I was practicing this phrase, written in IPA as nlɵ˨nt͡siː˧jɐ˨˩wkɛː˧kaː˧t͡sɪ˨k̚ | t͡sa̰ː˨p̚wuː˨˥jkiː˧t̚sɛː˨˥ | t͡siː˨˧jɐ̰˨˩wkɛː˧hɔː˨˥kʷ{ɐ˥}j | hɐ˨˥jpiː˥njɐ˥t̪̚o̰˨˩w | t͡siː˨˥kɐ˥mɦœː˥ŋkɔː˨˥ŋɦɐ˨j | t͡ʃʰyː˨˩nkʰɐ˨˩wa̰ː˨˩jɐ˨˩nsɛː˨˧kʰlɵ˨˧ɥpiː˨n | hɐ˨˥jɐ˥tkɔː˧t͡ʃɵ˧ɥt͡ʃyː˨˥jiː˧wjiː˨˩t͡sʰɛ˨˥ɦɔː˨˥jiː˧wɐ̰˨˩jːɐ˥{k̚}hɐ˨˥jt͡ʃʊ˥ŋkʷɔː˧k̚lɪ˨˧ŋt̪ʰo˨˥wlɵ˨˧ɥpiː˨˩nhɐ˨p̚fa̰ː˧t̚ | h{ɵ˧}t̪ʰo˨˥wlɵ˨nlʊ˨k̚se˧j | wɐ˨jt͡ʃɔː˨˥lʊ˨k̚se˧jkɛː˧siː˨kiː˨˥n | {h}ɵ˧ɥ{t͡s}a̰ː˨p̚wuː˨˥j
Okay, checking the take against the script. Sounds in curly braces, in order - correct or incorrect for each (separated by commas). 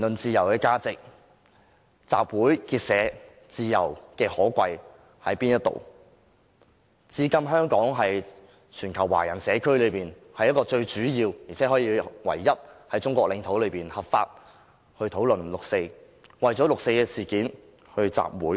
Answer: incorrect, incorrect, correct, correct, correct